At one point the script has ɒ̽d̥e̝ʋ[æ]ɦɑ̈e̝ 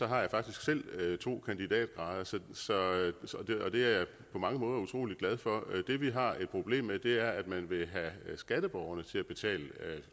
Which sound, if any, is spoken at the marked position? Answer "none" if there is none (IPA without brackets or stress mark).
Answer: i